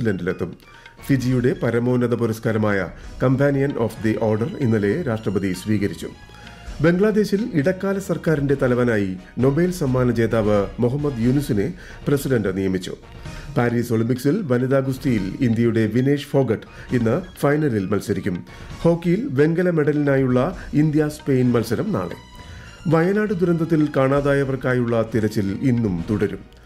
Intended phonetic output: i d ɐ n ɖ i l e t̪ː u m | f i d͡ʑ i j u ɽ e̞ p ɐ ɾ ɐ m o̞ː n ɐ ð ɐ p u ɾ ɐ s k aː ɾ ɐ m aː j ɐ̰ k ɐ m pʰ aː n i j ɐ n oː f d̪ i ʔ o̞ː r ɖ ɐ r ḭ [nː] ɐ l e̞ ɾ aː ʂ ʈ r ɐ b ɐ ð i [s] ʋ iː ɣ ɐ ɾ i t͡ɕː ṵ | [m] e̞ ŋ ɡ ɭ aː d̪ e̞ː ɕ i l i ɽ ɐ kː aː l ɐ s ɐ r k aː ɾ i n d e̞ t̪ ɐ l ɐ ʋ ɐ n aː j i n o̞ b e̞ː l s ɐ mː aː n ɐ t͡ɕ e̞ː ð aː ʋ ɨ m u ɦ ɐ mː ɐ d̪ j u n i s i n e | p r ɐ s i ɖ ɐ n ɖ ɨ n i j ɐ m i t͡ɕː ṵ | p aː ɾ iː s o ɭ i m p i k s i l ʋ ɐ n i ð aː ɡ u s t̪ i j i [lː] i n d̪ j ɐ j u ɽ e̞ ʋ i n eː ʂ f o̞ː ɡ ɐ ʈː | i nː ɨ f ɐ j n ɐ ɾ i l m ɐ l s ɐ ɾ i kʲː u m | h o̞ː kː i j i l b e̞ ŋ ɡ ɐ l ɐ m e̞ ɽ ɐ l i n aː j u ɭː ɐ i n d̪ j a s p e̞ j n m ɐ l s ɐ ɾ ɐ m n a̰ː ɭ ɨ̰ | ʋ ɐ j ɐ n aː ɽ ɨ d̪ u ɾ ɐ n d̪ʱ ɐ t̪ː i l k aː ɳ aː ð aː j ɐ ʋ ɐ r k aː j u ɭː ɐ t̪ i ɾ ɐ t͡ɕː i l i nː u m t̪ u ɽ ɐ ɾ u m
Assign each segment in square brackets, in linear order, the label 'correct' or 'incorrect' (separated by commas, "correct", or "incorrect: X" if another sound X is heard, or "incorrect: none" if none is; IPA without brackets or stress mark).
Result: correct, correct, incorrect: b, incorrect: l